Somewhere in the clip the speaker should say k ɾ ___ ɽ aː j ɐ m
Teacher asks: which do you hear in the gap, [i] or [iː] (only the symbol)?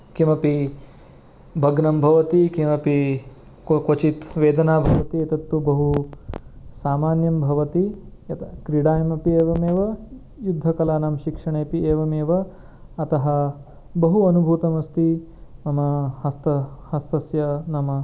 i